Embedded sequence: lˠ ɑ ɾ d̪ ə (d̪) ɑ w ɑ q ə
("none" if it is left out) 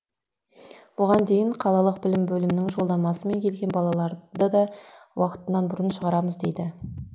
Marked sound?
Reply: d̪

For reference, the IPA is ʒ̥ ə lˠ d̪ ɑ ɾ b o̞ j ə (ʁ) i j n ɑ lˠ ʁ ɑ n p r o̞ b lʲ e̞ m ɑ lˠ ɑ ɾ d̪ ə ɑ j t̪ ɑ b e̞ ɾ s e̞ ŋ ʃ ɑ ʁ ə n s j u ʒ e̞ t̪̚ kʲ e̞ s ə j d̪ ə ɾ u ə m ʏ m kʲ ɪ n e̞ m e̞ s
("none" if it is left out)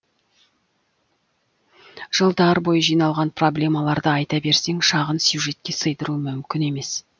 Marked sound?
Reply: ʒ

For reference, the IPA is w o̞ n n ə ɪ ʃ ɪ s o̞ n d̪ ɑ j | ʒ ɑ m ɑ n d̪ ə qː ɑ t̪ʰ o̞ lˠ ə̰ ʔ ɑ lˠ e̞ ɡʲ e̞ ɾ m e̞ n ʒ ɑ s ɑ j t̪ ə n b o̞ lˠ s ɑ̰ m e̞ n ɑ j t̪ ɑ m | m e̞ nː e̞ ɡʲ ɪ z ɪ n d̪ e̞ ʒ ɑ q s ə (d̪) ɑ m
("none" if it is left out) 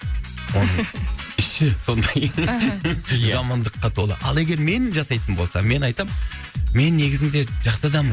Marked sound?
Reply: d̪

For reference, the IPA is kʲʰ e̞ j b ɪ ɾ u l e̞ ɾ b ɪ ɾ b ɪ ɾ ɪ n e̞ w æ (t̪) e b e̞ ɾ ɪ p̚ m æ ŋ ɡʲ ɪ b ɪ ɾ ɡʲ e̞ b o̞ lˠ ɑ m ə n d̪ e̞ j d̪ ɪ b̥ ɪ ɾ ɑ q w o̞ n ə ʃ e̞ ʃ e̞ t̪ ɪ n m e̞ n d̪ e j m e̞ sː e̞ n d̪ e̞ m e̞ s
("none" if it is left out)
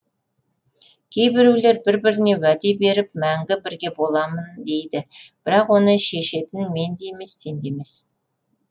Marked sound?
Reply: d̪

